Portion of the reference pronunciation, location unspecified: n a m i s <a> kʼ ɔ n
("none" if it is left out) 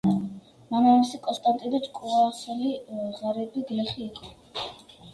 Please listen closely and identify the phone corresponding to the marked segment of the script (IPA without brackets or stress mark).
i